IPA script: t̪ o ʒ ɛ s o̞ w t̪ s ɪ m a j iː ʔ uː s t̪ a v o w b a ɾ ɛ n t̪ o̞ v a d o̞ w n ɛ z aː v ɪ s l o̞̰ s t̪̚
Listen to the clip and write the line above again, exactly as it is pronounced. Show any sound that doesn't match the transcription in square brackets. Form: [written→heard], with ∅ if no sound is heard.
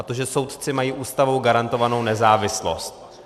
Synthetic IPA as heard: t̪ o ʒ ɛ s o̞ w t̪ [s→t͡s] ɪ m a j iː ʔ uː s t̪ a v o w [b→ɡ] a ɾ [ɛ→a] n t̪ o̞ v a [d→n] o̞ w n ɛ z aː v ɪ s l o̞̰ s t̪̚